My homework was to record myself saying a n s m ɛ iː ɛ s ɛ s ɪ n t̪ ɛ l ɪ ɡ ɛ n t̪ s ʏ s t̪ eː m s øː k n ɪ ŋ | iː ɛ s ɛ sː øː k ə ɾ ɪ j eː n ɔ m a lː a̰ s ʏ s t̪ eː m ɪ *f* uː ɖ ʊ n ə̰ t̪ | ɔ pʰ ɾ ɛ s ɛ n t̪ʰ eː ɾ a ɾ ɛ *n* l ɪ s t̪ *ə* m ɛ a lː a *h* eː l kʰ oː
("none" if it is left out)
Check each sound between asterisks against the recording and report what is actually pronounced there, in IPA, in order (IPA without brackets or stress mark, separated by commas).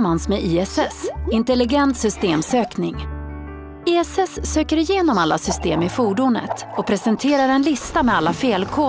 f, n, a, f